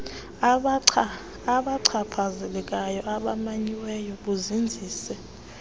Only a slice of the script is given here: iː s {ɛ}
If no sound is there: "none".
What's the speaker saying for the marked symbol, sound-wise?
ɛ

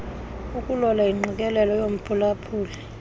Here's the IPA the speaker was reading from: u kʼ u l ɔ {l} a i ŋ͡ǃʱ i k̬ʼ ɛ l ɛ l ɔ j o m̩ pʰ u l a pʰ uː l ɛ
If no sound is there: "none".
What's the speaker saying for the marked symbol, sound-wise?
l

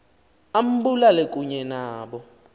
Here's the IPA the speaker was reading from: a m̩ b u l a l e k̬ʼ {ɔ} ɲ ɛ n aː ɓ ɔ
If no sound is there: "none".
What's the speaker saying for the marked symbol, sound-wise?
u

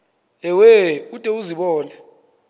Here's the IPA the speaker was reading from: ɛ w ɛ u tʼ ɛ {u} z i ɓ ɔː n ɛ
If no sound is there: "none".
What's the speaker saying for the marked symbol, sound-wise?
u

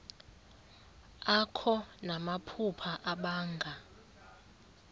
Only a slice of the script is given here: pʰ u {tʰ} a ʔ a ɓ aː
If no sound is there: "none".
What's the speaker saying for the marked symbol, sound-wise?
pʰ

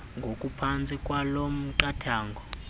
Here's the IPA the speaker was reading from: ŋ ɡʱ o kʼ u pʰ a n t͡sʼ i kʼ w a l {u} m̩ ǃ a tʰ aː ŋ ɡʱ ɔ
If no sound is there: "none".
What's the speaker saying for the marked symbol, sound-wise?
o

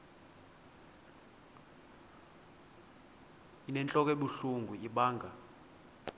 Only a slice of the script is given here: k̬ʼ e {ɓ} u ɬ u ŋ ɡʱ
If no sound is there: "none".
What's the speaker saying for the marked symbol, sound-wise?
ɓ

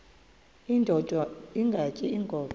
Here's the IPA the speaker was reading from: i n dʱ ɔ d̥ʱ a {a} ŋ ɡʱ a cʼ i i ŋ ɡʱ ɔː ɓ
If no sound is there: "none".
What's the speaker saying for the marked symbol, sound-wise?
i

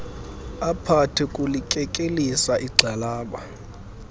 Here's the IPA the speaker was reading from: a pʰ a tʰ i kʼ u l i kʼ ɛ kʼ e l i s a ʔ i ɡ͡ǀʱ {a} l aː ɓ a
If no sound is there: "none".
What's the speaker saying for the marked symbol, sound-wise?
a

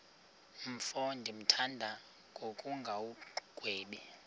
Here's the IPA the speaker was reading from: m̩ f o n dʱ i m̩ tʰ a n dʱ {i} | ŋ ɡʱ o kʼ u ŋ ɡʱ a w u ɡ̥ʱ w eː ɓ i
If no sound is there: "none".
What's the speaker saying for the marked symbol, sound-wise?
a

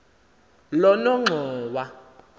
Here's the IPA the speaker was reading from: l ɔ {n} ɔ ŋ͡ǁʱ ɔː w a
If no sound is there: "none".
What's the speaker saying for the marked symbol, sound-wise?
n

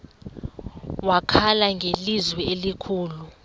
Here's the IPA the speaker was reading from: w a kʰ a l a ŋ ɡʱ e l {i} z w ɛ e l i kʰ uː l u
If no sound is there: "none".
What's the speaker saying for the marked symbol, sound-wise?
i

